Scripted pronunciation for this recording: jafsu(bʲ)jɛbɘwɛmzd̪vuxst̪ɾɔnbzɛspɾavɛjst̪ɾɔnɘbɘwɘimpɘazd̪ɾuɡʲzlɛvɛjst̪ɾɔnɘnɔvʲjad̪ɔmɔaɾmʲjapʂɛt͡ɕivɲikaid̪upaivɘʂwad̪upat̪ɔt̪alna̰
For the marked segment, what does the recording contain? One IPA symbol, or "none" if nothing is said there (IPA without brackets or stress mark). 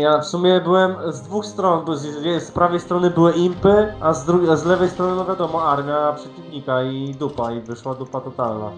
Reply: mʲ